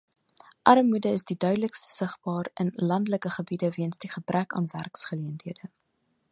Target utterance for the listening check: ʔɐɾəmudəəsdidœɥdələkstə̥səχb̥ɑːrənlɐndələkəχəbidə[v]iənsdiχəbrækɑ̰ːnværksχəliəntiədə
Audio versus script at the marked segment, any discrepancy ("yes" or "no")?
no